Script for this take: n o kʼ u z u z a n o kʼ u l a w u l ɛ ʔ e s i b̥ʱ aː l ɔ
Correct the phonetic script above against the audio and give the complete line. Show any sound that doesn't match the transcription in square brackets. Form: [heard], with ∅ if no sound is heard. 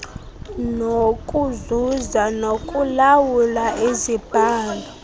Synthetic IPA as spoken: n o kʼ u z u z a n o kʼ u l a w u l [a] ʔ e [z] i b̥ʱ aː l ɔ

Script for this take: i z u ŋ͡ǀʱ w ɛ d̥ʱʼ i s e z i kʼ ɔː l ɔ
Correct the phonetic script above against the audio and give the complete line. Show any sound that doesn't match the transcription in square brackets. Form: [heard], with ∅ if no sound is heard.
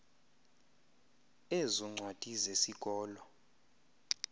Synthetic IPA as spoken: [e] z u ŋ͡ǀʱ w [a] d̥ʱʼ i [z] e [s] i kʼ ɔː l ɔ

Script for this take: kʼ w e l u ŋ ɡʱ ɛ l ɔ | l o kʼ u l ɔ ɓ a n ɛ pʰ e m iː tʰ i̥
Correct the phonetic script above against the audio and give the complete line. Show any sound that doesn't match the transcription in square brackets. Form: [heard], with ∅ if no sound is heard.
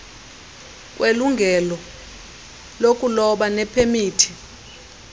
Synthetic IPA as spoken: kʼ w e l u ŋ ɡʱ ɛ l ɔ | l o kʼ u l ɔ ɓ a n ɛ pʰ e m iː tʰ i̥

